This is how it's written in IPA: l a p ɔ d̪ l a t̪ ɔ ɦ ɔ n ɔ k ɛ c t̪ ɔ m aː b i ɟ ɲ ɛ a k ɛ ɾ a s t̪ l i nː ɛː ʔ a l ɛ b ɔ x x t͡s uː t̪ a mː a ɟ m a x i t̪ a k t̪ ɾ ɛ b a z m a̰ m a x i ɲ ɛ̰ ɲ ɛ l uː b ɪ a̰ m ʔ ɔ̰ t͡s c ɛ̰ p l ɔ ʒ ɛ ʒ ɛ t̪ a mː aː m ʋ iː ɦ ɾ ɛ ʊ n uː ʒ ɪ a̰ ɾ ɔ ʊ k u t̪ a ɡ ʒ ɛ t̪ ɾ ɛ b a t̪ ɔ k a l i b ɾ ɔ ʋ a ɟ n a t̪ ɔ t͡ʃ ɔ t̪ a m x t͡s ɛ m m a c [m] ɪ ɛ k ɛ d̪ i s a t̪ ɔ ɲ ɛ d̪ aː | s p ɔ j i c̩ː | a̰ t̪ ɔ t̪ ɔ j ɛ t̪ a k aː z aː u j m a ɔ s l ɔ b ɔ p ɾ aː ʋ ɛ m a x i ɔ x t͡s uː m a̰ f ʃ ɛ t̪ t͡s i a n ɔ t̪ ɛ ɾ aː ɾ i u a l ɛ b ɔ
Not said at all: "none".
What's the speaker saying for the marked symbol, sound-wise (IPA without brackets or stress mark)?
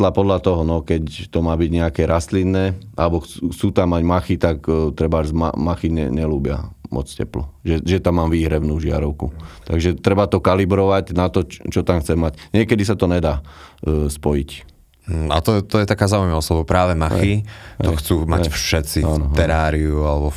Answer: ɲ